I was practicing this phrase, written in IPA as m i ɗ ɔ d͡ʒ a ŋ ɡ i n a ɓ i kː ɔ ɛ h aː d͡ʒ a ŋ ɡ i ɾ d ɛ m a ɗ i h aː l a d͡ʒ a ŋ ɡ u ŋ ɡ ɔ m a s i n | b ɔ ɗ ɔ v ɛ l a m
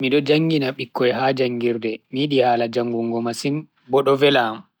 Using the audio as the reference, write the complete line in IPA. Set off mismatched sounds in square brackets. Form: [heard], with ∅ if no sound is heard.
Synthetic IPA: m i ɗ ɔ d͡ʒ a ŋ ɡ i n a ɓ i kː ɔ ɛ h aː d͡ʒ a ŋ ɡ i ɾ d ɛ m [i] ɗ i h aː l a d͡ʒ a ŋ ɡ u ŋ ɡ ɔ m a s i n | b ɔ ɗ ɔ v ɛ l a m